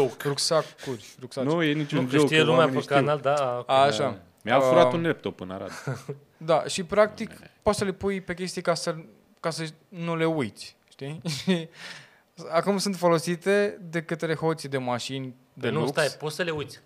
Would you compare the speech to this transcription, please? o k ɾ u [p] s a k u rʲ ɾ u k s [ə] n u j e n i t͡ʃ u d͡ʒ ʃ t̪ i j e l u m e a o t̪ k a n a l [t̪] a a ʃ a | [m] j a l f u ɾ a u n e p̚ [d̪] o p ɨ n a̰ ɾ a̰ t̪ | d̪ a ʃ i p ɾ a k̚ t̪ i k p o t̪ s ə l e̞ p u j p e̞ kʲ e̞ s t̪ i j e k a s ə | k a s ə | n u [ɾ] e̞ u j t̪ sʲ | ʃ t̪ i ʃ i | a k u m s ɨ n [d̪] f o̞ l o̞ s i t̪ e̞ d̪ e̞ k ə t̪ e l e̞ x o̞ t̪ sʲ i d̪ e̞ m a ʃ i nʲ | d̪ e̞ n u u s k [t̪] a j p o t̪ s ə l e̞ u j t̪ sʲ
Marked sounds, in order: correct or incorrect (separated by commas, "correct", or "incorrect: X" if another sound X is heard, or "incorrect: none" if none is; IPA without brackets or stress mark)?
incorrect: k, incorrect: a, incorrect: d̪, correct, incorrect: t̪, incorrect: l, incorrect: t̪, correct